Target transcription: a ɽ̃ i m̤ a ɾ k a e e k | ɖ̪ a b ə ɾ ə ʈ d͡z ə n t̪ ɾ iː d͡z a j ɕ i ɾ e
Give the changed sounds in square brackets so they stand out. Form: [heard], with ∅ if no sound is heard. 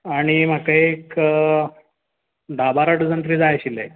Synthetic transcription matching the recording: a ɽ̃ i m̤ a [∅] k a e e k | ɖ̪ a b [a] ɾ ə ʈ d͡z ə n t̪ ɾ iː d͡z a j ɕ i [l] e